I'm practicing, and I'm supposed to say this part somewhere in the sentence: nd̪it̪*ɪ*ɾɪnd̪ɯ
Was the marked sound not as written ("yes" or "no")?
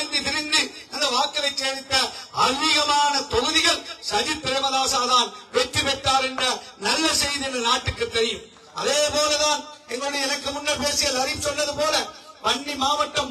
no